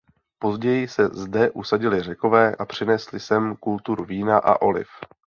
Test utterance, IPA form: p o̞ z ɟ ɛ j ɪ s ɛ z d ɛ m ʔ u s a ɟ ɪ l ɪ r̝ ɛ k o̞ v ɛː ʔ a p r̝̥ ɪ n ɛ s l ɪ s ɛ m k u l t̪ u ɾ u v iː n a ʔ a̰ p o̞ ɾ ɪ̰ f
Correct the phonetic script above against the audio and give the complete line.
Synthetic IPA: p o̞ z ɟ ɛ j ɪ s ɛ z d ɛ ʔ u s a ɟ ɪ l ɪ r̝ ɛ k o̞ v ɛː ʔ a p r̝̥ ɪ n ɛ s l ɪ s ɛ m k u l t̪ u ɾ u v iː n a ʔ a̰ ʔ o̞ l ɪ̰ f